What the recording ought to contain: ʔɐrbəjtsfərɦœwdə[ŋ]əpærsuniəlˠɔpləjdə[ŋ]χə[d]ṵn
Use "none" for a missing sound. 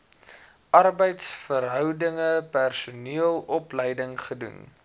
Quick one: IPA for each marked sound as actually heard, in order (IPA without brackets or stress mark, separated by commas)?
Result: ŋ, ŋ, d